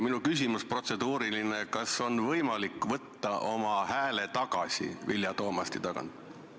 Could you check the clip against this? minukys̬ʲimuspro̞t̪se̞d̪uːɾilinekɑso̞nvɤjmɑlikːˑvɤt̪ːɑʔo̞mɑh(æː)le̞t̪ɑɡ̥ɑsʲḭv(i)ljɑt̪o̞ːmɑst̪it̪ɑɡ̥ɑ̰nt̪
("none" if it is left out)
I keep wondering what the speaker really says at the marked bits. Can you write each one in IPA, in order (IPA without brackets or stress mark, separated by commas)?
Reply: æː, i